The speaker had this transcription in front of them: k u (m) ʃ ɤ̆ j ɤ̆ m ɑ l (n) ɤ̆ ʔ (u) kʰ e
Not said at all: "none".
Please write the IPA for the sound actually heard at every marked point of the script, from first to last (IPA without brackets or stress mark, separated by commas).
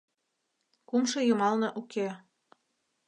m, n, u